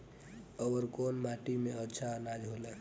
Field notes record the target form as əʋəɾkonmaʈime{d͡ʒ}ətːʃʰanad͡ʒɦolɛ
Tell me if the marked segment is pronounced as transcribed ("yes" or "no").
no